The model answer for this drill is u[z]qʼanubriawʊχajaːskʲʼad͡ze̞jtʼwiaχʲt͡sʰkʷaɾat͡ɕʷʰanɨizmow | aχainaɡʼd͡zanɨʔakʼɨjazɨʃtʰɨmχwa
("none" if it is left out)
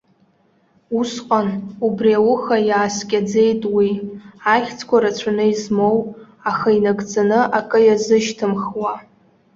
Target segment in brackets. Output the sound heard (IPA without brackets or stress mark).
s